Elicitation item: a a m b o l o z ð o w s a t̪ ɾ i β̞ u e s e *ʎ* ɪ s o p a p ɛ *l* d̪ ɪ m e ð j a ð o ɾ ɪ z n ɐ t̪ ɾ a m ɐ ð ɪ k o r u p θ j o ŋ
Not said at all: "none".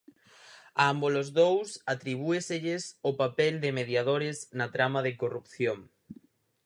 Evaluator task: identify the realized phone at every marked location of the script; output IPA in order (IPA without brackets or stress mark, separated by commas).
ʎ, l